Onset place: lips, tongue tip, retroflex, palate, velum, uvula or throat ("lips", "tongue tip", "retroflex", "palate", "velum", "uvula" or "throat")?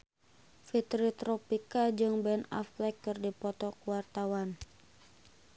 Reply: lips